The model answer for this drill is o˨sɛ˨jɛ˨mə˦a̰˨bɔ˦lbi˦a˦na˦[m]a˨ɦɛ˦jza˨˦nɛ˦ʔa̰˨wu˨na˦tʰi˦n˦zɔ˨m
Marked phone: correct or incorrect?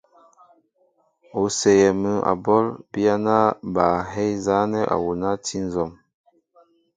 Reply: incorrect